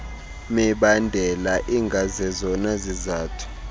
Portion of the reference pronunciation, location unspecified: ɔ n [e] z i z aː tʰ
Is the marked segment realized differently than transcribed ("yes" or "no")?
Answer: yes